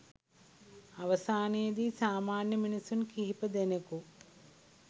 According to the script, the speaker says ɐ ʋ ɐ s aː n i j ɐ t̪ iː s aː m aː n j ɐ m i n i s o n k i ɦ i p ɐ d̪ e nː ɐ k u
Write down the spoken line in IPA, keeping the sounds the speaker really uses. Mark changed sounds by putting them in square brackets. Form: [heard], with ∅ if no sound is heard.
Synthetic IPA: ɐ ʋ ɐ s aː n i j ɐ [d̪] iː s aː m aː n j ɐ m i n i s [u] n k i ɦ i p ɐ d̪ e [n] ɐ k u